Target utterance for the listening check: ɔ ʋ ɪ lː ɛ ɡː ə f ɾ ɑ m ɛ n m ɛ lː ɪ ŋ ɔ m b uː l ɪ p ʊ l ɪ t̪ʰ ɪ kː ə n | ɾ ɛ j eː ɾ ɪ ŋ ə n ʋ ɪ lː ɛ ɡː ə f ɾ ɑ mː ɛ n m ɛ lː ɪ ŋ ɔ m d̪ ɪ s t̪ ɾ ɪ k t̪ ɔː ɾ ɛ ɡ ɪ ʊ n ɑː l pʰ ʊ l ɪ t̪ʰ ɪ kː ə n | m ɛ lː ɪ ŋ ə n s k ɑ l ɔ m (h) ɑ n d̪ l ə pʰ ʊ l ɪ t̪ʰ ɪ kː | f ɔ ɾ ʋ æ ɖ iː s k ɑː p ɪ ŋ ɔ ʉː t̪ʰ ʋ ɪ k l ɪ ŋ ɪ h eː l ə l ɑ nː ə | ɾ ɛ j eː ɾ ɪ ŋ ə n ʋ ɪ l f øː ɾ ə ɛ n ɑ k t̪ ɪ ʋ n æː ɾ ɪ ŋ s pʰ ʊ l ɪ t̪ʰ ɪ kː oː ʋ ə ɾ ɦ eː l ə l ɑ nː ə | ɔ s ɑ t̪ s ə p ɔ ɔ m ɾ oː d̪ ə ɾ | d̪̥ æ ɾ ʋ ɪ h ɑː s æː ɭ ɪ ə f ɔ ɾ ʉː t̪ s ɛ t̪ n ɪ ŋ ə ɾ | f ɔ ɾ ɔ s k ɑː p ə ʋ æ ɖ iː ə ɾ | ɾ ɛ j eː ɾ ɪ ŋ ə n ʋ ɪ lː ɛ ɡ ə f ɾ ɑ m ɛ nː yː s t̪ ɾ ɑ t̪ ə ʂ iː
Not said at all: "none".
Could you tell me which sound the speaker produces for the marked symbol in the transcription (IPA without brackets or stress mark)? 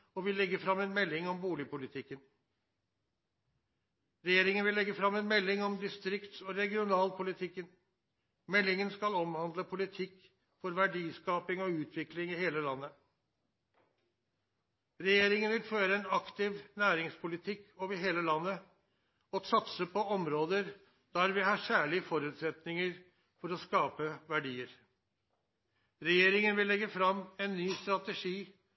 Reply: h